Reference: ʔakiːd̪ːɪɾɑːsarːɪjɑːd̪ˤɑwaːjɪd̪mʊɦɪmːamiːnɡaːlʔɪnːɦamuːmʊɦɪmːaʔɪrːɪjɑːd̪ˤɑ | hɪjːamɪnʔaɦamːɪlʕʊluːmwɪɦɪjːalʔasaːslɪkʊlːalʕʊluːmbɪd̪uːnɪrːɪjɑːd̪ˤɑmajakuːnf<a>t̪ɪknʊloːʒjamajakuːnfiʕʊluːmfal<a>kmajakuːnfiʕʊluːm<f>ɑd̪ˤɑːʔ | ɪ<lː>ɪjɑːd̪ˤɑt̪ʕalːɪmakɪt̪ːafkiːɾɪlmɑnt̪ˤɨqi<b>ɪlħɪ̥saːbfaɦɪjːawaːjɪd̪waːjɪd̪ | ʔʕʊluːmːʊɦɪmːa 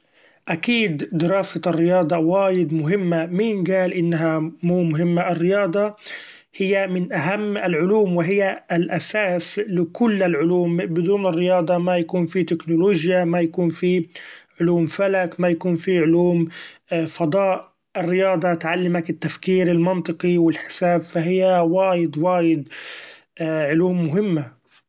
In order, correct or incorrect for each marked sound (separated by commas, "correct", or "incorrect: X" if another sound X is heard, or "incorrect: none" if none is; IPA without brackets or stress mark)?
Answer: incorrect: i, correct, correct, incorrect: rː, incorrect: w